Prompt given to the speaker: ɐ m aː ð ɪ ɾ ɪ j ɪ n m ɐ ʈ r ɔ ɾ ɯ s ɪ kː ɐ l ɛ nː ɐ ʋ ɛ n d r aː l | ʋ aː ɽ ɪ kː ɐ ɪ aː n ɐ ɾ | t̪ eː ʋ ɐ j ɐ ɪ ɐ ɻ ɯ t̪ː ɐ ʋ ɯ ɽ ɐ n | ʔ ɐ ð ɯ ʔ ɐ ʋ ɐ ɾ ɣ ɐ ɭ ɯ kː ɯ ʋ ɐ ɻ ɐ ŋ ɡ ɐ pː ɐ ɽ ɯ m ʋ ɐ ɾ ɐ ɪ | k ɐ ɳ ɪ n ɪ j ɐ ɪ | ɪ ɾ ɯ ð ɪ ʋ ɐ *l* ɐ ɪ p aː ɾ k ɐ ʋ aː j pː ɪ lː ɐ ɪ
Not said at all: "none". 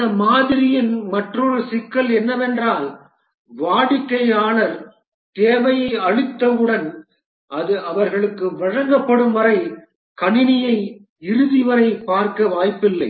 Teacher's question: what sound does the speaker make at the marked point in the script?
ɾ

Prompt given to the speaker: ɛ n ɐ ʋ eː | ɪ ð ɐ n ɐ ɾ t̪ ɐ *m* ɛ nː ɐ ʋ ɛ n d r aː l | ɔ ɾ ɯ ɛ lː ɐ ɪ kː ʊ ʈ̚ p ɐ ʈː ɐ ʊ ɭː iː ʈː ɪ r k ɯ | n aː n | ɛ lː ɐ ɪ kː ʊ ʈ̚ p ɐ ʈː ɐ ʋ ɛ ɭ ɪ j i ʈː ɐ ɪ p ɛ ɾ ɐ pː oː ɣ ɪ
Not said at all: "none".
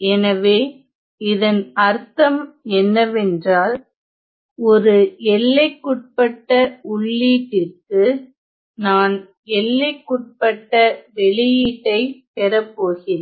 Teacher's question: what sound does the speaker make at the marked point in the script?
m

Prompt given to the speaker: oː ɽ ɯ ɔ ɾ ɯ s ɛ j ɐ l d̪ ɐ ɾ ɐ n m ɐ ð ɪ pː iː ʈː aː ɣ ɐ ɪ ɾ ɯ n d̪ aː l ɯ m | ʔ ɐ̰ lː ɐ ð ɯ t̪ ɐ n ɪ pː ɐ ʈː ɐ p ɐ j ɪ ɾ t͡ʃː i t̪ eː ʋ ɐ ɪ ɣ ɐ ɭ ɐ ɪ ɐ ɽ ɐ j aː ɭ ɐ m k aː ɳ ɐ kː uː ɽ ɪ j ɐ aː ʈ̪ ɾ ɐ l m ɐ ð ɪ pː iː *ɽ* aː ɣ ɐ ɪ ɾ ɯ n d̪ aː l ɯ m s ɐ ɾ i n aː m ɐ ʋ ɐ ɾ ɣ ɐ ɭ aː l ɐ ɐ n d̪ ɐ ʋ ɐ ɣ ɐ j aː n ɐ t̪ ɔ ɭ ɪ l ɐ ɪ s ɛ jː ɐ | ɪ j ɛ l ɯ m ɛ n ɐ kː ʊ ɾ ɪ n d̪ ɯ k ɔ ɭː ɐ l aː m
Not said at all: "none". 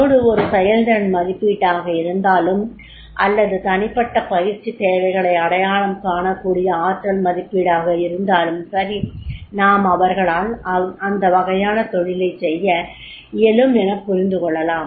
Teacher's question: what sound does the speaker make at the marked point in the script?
ɽ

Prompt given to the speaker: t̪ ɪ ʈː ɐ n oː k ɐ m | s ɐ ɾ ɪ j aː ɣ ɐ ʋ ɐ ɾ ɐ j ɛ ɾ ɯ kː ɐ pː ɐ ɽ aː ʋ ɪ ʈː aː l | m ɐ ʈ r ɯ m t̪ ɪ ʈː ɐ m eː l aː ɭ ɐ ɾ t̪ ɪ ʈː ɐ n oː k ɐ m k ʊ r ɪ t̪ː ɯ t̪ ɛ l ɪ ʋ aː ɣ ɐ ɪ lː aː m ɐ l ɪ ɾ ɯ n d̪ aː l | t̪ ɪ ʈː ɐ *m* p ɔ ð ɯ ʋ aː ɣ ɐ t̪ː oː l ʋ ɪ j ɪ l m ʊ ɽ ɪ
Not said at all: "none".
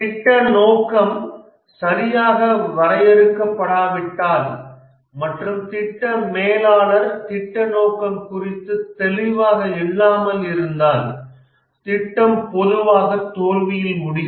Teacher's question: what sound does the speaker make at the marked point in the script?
m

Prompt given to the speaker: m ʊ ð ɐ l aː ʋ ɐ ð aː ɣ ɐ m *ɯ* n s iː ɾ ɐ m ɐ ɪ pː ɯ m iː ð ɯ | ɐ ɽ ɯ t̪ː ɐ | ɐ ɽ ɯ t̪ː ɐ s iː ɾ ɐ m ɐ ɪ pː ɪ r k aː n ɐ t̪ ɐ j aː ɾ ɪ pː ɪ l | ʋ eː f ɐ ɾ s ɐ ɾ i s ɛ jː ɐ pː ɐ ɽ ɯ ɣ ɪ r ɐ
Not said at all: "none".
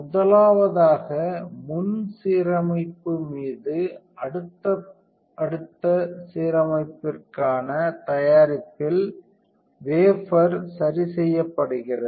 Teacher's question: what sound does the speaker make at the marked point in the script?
ʊ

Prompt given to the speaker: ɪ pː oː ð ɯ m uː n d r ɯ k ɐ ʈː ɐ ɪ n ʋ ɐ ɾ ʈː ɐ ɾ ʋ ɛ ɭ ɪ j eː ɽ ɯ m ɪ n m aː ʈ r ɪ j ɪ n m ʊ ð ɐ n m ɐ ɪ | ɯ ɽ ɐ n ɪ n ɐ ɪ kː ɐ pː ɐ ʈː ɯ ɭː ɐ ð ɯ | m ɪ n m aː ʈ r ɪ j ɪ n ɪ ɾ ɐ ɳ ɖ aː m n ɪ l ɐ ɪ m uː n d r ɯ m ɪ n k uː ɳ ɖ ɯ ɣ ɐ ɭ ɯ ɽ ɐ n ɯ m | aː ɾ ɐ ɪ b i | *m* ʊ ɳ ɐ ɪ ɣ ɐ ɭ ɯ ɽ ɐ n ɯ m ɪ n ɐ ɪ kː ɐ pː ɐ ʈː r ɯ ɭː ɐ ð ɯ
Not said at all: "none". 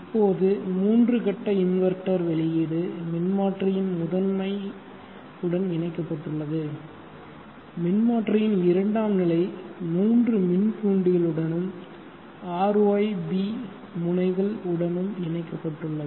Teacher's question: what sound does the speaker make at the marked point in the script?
m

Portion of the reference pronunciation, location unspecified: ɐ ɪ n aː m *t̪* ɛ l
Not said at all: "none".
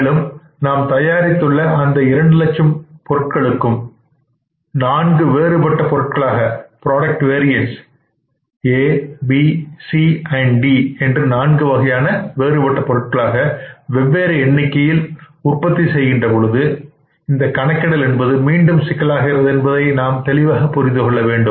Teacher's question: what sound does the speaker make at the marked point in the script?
t̪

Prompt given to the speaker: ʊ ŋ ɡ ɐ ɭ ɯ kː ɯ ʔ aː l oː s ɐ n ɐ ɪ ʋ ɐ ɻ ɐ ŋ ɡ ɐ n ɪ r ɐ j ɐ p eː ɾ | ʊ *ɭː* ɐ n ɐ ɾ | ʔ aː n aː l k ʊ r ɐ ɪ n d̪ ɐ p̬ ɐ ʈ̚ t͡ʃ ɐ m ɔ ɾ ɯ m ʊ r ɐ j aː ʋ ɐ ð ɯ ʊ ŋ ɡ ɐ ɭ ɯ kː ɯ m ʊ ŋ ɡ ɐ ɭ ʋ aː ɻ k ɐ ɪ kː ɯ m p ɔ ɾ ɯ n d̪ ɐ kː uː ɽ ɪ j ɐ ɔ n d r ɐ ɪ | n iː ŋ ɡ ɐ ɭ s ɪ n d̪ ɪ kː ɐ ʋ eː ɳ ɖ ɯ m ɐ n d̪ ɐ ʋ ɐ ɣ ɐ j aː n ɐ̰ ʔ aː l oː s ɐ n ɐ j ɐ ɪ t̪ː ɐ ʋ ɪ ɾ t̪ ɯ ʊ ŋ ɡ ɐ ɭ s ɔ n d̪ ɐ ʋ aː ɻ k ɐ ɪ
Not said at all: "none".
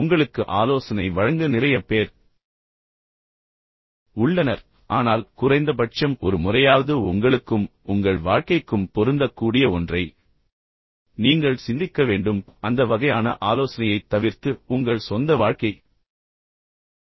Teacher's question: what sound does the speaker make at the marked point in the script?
ɭː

